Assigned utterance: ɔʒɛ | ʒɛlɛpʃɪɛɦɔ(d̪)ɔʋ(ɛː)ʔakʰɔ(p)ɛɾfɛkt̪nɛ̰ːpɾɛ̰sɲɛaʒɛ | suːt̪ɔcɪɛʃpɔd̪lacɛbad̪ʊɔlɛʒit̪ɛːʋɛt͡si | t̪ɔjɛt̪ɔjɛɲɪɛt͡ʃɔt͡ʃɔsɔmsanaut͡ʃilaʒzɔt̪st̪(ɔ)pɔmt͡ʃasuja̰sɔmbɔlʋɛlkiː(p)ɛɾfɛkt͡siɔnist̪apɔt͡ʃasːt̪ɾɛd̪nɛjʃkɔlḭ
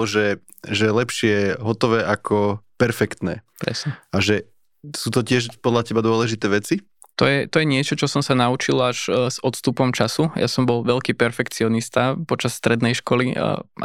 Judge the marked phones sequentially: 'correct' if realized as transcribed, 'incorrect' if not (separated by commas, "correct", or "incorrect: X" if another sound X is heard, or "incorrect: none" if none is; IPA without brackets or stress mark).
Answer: incorrect: t̪, correct, correct, incorrect: u, correct